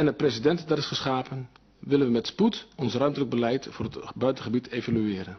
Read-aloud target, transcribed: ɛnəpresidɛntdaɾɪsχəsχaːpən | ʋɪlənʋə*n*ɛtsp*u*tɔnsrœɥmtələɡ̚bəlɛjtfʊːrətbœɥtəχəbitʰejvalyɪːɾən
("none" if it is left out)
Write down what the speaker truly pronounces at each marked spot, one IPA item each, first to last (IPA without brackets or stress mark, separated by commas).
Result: m, u